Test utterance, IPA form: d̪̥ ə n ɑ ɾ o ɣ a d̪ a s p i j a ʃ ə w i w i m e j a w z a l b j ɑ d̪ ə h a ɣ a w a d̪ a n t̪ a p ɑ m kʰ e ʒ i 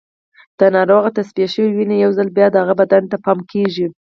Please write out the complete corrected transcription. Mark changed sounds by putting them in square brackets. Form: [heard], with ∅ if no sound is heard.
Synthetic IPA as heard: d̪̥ ə n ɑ ɾ o ɣ a [t̪] a s p i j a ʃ ə w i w i [n] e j a w z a l b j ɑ d̪ ə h a ɣ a [b] a d̪ a n t̪ a p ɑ m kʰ e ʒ i